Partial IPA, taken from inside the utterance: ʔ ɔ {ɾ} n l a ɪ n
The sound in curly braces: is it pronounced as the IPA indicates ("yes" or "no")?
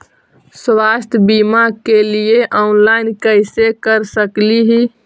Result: no